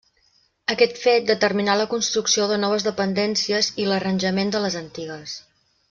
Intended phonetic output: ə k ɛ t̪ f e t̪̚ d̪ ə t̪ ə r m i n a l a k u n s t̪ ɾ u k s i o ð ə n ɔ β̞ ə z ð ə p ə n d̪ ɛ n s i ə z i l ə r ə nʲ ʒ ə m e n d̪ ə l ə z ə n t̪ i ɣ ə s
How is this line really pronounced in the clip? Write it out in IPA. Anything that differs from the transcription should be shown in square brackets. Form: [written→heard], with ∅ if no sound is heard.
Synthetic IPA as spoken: ə k ɛ t̪ f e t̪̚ d̪ ə t̪ ə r m i n a l [a→ə] k u n s t̪ ɾ u k s i o ð ə n ɔ β̞ ə z ð ə p ə n d̪ ɛ n s i ə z i l ə r ə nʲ ʒ ə m e n d̪ ə l ə z ə n t̪ i ɣ ə s